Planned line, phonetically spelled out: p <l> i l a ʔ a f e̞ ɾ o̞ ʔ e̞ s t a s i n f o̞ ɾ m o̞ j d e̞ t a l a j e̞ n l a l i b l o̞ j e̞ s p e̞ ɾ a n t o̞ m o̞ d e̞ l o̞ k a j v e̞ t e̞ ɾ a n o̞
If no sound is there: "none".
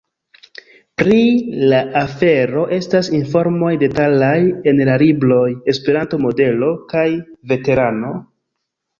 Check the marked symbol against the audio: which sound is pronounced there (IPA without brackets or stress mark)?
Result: ɾ